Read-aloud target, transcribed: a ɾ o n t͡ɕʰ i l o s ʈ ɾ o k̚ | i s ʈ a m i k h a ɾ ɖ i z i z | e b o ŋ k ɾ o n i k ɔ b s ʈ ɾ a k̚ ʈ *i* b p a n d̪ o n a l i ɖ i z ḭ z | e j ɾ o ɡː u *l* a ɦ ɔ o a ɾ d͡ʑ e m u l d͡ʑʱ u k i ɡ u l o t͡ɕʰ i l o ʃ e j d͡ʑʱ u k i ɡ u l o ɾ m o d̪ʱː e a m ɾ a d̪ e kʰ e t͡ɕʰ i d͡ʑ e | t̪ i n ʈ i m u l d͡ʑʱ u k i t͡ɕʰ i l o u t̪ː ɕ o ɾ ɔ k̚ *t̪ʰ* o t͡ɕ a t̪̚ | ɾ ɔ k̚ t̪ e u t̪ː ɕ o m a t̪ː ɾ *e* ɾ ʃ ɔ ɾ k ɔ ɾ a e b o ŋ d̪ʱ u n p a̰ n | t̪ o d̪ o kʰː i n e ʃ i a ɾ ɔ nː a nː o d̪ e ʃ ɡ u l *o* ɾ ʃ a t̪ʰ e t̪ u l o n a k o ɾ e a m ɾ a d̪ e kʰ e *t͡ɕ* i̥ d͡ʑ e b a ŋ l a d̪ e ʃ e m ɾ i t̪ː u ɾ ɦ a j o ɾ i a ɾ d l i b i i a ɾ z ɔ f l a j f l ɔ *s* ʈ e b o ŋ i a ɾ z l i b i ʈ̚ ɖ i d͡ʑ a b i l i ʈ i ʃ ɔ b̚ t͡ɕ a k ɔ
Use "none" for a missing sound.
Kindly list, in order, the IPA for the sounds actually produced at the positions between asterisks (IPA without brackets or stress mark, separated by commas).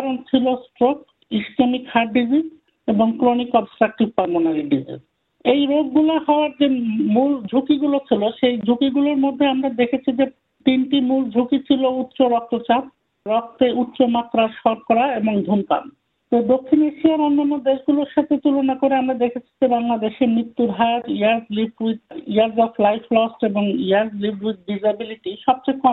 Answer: i, l, t̪, a, o, t͡ɕʰ, s